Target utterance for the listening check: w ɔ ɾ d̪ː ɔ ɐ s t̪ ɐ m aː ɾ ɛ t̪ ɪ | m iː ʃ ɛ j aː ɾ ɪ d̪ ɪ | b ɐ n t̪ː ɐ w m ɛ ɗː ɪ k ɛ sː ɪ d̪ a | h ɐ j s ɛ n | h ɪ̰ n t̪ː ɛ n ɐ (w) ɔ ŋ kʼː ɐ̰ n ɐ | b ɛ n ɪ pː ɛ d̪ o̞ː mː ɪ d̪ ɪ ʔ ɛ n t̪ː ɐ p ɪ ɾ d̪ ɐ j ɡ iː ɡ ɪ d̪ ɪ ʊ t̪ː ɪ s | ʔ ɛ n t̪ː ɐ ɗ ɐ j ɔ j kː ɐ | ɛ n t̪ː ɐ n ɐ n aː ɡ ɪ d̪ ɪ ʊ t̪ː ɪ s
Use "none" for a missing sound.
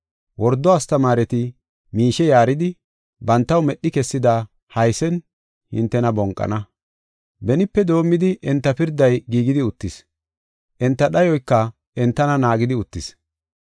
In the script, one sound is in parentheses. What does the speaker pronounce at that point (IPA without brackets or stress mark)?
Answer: b